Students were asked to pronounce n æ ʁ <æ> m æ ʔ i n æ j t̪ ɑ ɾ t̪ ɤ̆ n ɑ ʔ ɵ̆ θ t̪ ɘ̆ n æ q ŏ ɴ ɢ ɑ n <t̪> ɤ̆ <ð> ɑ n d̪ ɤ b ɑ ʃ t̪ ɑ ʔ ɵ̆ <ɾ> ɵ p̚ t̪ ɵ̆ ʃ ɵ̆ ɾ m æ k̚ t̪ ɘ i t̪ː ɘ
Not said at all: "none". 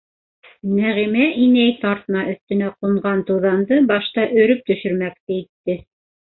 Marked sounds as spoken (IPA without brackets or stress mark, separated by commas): i, t̪, ð, ɾ